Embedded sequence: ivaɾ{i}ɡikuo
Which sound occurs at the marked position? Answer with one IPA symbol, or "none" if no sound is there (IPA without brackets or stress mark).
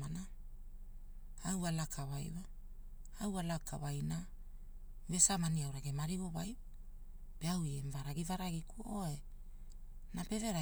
a